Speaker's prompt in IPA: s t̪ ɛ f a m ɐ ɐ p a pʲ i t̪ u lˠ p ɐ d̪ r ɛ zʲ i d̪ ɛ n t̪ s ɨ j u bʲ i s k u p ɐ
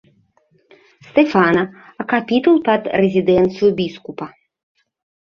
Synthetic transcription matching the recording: s t̪ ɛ f a n ɐ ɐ k a pʲ i t̪ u lˠ p ɐ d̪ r ɛ zʲ i d̪ ɛ n t̪ s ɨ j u bʲ i s k u p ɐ